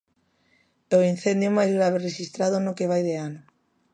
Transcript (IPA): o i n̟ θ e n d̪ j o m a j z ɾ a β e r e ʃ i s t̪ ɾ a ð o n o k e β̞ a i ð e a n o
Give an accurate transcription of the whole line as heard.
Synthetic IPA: o i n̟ θ e n d̪ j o m a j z ɾ a β e r e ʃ i s t̪ ɾ a ð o n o k e β̞ a j ð e a n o